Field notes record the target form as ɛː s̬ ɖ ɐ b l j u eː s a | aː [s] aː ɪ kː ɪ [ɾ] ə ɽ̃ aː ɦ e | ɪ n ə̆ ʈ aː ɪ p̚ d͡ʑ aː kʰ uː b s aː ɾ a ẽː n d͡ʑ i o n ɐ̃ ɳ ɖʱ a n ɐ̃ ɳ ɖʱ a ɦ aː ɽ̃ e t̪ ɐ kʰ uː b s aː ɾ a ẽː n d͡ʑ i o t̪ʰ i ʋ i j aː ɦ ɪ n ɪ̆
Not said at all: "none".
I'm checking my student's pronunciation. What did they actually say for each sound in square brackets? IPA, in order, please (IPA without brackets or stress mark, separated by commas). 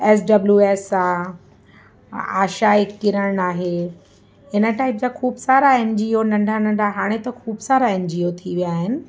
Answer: ʃ, ɾ